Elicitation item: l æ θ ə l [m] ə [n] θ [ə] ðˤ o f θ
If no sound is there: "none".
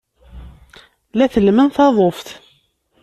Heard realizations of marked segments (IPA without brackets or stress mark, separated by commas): m, n, ɑ